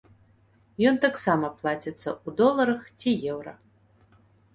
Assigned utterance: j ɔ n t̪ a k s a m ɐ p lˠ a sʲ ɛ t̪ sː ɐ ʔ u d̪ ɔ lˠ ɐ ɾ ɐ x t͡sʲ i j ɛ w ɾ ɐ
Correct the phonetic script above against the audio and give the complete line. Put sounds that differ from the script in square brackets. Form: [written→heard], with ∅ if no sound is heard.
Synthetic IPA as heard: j ɔ n t̪ a k s a m ɐ p lˠ a [sʲ→t͡sʲ] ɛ t̪ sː ɐ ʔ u d̪ ɔ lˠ ɐ ɾ ɐ x t͡sʲ i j ɛ w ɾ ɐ